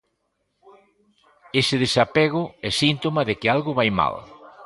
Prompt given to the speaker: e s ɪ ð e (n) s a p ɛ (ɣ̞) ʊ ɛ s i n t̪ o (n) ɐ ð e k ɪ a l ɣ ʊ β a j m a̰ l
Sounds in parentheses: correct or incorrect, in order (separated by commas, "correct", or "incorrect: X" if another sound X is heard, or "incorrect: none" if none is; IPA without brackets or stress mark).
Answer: incorrect: none, correct, incorrect: m